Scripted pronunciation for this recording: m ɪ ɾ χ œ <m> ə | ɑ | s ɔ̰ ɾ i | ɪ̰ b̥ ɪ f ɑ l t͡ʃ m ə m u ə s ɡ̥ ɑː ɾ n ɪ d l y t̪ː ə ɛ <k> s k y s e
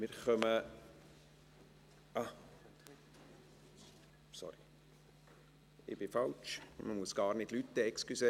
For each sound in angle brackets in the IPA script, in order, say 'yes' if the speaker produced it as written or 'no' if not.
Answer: yes, yes

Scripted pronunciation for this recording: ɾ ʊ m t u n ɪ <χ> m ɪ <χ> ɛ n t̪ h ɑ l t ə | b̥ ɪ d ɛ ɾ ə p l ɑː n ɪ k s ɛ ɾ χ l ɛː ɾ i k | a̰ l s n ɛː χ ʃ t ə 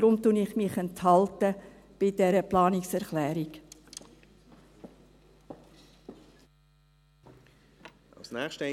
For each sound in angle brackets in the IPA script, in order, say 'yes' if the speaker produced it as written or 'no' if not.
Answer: yes, yes

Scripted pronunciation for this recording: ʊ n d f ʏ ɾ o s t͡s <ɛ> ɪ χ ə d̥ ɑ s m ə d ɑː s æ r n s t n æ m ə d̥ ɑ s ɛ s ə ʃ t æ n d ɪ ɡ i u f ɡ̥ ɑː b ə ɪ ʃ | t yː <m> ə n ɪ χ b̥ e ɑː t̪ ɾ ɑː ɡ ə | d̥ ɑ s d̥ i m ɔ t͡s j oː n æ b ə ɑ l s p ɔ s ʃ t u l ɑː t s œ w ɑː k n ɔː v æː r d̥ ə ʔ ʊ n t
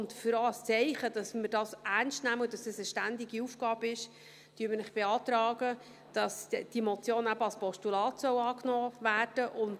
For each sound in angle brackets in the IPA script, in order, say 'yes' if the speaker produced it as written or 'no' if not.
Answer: yes, yes

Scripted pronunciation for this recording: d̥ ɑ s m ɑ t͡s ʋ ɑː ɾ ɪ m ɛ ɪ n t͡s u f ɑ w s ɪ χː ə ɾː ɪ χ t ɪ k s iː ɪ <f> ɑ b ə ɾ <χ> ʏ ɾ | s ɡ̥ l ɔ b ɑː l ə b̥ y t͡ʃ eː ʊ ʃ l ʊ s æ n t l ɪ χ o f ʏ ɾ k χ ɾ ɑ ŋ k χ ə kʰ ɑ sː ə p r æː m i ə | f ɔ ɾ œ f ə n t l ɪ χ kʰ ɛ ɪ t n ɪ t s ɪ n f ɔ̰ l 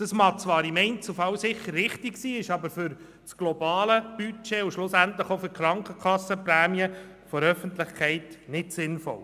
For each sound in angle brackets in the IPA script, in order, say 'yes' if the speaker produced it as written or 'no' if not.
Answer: no, no

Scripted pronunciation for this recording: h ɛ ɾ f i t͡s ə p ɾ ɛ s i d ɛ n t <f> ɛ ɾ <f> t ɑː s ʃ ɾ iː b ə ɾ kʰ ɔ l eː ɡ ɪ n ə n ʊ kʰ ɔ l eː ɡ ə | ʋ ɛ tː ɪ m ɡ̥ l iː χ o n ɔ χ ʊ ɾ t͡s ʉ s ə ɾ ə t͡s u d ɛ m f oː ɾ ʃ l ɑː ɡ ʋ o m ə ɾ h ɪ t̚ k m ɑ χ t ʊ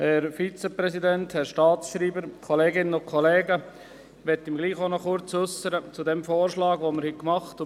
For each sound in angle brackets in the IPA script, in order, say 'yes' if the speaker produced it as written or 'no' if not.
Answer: no, no

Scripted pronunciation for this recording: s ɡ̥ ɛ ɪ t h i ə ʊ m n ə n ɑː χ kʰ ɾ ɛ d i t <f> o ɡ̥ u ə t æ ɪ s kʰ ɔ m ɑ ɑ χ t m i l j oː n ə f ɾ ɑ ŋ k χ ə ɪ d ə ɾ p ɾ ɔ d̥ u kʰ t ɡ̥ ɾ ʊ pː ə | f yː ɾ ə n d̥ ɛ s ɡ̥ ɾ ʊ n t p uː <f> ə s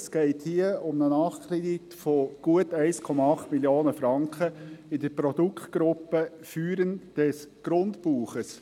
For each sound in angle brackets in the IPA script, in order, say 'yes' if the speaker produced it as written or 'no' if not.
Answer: yes, no

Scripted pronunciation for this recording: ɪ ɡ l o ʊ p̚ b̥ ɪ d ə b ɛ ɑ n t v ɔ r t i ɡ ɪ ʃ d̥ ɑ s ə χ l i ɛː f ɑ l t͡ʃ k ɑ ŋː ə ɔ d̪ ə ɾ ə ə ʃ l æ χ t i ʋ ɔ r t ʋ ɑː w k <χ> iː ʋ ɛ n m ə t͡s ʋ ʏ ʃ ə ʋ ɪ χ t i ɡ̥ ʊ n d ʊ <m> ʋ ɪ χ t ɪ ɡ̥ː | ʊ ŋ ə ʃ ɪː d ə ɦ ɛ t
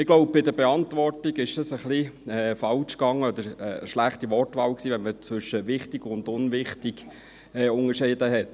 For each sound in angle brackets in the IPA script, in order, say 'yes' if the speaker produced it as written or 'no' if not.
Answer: no, no

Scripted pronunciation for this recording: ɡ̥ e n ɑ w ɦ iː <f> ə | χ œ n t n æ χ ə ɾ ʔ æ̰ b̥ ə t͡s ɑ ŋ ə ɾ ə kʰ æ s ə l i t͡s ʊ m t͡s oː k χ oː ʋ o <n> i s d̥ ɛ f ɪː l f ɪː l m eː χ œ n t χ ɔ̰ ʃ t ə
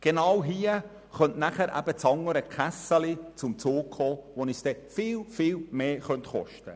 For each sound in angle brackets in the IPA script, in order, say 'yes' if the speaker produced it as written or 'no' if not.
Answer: no, yes

